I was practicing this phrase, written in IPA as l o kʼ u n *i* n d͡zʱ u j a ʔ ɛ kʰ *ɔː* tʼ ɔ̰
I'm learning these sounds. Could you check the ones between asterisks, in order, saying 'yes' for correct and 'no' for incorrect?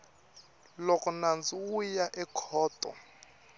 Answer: no, yes

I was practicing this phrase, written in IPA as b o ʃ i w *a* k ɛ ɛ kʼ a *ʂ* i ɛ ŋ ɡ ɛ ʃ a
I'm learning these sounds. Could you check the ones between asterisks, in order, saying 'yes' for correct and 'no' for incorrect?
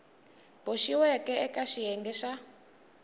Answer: no, no

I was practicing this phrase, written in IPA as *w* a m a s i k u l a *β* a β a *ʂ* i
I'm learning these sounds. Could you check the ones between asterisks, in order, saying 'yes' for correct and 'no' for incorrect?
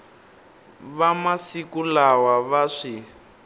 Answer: no, no, yes

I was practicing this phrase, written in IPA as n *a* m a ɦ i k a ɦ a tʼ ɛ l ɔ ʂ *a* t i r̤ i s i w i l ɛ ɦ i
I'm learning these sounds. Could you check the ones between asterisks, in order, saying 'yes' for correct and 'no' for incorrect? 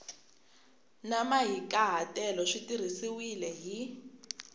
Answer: yes, no

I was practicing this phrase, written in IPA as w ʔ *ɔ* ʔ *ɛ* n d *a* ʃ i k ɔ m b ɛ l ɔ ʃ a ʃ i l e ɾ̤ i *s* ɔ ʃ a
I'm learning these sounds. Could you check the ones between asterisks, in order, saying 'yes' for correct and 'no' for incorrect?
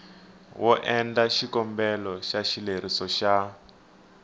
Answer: yes, yes, yes, yes

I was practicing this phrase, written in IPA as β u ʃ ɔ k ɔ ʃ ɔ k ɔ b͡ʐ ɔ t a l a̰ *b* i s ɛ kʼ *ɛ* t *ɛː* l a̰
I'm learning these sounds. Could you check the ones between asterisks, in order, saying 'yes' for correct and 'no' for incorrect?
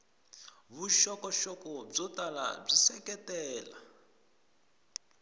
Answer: no, yes, yes

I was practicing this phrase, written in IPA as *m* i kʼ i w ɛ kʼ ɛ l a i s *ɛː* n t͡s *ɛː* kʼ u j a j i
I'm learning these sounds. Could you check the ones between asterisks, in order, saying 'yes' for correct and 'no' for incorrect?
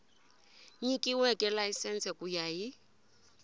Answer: no, no, no

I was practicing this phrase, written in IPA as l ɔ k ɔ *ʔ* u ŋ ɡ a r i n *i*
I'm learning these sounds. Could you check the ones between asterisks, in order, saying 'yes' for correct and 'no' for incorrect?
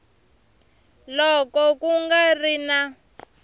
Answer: no, no

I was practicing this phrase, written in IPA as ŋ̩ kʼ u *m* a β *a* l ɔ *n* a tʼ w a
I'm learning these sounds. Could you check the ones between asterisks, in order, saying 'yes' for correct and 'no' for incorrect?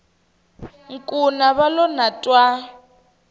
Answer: no, yes, yes

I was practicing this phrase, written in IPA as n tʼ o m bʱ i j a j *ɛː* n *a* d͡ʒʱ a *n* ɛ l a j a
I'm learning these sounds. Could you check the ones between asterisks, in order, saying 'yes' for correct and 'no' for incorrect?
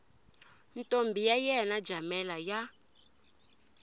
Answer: no, yes, no

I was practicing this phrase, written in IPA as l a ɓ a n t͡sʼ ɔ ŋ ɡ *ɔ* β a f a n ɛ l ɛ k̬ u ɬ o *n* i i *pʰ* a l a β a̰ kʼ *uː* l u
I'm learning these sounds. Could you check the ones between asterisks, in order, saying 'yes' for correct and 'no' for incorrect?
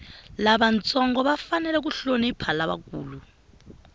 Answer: yes, yes, yes, yes

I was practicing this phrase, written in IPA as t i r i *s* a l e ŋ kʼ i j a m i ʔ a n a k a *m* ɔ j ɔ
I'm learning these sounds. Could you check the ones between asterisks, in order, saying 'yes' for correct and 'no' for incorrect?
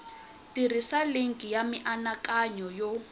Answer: yes, no

